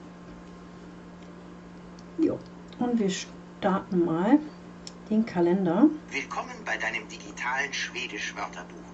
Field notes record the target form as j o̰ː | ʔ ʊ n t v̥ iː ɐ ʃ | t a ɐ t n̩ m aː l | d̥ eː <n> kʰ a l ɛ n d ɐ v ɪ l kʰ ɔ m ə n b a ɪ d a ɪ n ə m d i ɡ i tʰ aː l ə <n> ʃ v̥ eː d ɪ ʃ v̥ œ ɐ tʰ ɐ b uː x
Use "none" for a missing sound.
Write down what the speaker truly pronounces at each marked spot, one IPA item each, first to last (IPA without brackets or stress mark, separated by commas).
n, n